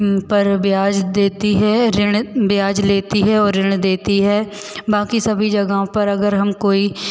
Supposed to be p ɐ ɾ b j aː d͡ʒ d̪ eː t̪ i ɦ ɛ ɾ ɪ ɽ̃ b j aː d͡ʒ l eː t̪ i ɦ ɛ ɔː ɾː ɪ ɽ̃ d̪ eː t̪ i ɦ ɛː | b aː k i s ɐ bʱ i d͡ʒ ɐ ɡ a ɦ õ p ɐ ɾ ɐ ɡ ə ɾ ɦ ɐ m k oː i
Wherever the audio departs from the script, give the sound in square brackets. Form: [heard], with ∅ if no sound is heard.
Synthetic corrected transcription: p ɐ ɾ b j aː d͡ʒ d̪ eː t̪ i ɦ ɛ ɾ ɪ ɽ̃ b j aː d͡ʒ l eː t̪ i ɦ ɛ ɔː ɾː ɪ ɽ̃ d̪ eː t̪ i ɦ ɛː | b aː k i s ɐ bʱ i d͡ʒ ɐ ɡ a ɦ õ p ɐ ɾ ɐ ɡ ə ɾ ɦ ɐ m k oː i